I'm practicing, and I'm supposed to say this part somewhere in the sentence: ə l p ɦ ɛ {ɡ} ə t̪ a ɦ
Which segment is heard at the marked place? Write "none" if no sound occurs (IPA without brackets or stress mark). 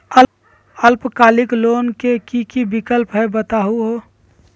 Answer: b